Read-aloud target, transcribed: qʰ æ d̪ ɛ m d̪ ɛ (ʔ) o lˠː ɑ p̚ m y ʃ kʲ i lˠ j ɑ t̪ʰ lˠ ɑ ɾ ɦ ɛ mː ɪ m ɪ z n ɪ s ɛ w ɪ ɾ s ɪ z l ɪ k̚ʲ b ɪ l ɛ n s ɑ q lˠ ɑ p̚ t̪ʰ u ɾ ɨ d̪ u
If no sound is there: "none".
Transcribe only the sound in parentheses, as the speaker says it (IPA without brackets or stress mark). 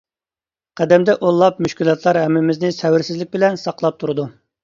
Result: ʔ